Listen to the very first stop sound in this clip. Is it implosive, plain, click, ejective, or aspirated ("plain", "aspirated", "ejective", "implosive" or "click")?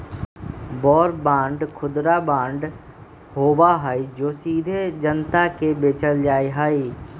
plain